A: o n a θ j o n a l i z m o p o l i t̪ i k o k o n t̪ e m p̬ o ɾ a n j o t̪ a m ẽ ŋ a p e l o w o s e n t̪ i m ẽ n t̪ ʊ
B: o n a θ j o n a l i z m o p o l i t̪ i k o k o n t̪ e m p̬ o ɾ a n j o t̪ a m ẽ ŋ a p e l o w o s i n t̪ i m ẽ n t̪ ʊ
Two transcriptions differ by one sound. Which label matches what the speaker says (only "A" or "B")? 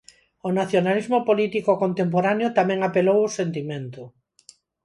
A